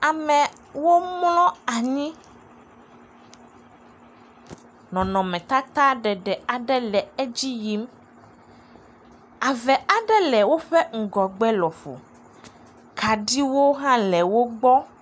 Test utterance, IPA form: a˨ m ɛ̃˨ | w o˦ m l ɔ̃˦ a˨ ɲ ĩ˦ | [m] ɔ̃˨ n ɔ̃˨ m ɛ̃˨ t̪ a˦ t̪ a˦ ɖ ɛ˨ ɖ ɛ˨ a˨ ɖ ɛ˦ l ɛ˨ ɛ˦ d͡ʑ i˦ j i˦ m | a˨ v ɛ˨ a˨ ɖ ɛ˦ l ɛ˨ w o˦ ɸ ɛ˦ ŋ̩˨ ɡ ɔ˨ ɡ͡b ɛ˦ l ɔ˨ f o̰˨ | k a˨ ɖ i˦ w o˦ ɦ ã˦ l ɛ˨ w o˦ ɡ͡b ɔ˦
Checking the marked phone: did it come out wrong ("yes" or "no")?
yes